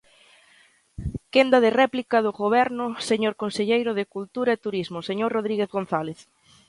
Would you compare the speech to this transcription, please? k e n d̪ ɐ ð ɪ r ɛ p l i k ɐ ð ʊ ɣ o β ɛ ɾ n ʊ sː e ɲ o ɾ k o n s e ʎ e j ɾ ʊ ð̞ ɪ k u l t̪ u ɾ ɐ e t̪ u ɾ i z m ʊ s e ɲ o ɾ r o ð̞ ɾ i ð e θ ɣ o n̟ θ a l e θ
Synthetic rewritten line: k e n d̪ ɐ ð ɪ r ɛ p l i k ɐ ð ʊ ɣ o β ɛ ɾ n ʊ s e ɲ o ɾ k o n s e ʎ e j ɾ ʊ ð̞ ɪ k u l t̪ u ɾ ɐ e t̪ u ɾ i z m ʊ s e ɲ o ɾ r o ð̞ ɾ i ɣ e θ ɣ o n̟ θ a l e θ

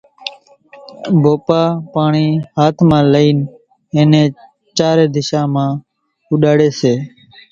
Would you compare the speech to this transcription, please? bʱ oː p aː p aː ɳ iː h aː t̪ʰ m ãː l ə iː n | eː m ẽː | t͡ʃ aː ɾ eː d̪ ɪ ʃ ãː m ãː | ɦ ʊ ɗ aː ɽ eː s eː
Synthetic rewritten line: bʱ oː p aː p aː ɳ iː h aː t̪ʰ m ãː l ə iː n | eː n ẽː | t͡ʃ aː ɾ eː d̪ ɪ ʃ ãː m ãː | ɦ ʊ ɗ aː ɽ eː s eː

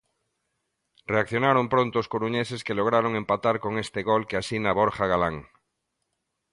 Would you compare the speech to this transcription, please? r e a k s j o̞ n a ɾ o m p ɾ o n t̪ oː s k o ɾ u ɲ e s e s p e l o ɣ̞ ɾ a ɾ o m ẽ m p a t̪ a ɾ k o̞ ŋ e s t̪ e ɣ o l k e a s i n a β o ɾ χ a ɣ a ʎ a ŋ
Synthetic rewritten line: r e a k θ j o̞ n a ɾ o m p ɾ o n t̪ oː s k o ɾ u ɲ e s e s k e l o ɣ̞ ɾ a ɾ o ŋ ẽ m p a t̪ a ɾ k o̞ ŋ e s t̪ e ɣ o l k e a s i n a β o ɾ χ a ɣ a l a ŋ

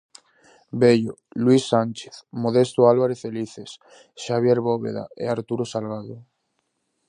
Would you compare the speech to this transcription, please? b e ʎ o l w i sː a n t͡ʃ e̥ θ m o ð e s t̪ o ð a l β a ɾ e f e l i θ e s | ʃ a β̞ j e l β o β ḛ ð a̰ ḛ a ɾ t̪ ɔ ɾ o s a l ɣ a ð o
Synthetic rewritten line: b e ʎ o l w i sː a n t͡ʃ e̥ θ m o ð e s t̪ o a l β a ɾ e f e l i θ e s | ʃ a β̞ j e ɾ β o β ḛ ð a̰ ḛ a ɾ t̪ u ɾ o s a l ɣ a ð o

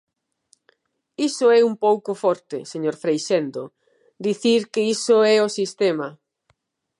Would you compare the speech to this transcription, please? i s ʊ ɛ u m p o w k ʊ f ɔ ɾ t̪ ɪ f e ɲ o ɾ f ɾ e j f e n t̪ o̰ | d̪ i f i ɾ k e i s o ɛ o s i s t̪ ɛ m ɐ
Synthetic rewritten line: i s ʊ ɛ u m p o w k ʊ f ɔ ɾ t̪ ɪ s e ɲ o ɾ f ɾ e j ʃ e n d̪ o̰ | d̪ i θ i ɾ k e i s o ɛ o s i s t̪ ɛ m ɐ

